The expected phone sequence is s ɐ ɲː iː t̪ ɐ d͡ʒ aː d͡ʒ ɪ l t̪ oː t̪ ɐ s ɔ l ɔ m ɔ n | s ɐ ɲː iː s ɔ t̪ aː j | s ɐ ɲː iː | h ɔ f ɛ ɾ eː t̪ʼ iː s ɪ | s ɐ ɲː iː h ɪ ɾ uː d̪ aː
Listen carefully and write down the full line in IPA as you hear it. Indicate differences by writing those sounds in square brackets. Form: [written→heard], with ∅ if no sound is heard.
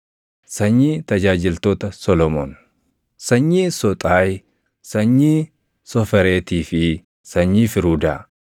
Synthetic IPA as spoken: s ɐ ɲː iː t̪ ɐ d͡ʒ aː d͡ʒ ɪ l t̪ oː t̪ ɐ s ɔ l ɔ m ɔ n | s ɐ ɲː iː s ɔ [t̪→t̪ʼ] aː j | s ɐ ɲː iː | [h→s] ɔ f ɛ ɾ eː [t̪ʼ→t̪] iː [s→f] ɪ | s ɐ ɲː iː [h→f] ɪ ɾ uː d̪ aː